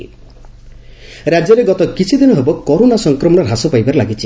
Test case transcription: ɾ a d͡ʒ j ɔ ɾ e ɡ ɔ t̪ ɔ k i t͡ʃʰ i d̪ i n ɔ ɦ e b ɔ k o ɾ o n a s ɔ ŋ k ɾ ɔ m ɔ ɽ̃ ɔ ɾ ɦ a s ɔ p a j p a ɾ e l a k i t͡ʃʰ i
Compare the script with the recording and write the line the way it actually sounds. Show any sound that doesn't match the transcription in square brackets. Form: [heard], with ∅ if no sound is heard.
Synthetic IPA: ɾ a d͡ʒ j ɔ ɾ e ɡ ɔ t̪ ɔ k i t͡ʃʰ i d̪ i n ɔ ɦ e b ɔ k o ɾ o n a s ɔ ŋ k ɾ ɔ m ɔ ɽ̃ ɔ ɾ ɦ a s ɔ p a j [b] a ɾ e l a [ɡ] i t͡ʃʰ i